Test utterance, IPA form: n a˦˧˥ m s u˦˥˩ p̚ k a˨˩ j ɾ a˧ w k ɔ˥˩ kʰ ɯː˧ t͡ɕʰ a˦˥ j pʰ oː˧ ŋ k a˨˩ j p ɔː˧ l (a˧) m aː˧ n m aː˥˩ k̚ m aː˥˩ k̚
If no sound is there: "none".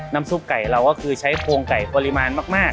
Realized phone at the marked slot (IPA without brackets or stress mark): i˧